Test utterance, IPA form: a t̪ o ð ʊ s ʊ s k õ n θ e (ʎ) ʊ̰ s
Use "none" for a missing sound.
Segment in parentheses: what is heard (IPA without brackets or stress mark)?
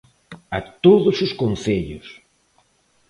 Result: ʎ